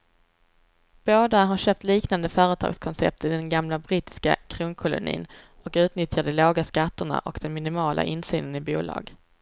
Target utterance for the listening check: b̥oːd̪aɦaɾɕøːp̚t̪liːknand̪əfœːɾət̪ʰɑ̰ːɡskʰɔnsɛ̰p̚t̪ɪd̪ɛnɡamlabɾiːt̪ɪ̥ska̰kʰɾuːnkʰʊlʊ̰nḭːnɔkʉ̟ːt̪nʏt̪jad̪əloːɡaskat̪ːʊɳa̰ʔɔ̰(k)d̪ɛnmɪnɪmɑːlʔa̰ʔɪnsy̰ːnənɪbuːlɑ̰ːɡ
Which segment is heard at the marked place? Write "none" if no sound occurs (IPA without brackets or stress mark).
k